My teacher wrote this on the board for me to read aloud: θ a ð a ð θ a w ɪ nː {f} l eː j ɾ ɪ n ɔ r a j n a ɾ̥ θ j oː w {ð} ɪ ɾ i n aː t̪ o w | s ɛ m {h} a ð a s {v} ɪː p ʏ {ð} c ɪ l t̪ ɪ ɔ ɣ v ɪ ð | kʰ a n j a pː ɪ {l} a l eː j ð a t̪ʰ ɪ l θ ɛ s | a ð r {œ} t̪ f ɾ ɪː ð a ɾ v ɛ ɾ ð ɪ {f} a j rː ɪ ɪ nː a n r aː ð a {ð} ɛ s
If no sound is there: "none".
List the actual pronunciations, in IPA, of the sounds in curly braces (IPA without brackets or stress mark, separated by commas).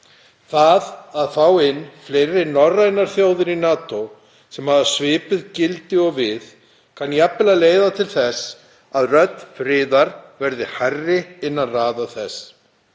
f, ð, h, v, ð, l, œ, h, θ